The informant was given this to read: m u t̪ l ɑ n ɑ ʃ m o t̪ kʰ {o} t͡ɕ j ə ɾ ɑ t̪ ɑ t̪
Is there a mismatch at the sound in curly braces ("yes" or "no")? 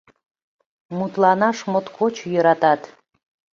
no